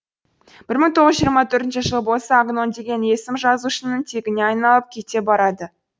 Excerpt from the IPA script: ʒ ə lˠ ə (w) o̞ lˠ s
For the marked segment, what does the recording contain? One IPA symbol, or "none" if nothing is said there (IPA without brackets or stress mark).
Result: b